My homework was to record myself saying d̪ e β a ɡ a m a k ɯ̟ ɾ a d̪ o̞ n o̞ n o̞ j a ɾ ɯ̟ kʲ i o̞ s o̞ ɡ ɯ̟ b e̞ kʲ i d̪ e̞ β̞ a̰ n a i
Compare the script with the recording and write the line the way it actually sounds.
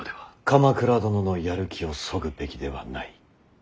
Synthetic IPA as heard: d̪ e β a k a m a k ɯ̟ ɾ a d̪ o̞ n o̞ n o̞ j a ɾ ɯ̟ kʲ i o̞ s o̞ ɡ ɯ̟ b e̞ kʲ i d̪ e̞ β̞ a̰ n a i